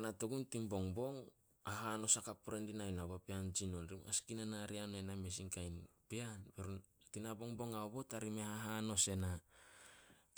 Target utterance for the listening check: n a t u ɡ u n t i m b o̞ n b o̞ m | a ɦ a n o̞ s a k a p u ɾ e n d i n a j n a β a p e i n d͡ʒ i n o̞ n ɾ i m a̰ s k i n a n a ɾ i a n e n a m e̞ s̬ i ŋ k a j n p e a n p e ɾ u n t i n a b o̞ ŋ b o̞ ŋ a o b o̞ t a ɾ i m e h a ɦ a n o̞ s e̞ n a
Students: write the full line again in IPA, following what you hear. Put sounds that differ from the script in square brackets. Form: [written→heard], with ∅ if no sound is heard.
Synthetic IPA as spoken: n a t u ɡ u n t i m b o̞ [n→ŋ] b o̞ [m→ŋ] | a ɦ a n o̞ s a k a p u ɾ e n d i n a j n a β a p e [i→a] n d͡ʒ i n o̞ n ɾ i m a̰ s k i n a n a ɾ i a n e n a m e̞ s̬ i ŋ k a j n p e a n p e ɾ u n t i n a b o̞ ŋ b o̞ ŋ a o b o̞ t a ɾ i m e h a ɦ a n o̞ s e̞ n a

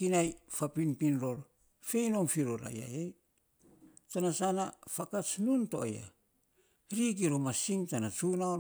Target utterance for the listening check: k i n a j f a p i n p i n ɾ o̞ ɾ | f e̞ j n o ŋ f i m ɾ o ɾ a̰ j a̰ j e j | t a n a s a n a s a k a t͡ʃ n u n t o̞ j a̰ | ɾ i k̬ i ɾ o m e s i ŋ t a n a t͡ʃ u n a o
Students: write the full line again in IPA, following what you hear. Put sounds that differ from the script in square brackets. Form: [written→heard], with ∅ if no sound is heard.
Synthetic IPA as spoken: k i n a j f a p i n p i n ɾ o̞ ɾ | f e̞ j n o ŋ f i [m→∅] ɾ o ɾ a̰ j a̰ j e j | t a n a s a n a [s→f] a k a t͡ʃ n u n t o̞ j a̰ | ɾ i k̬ i ɾ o m [e→a] s i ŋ t a n a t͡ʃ u n a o

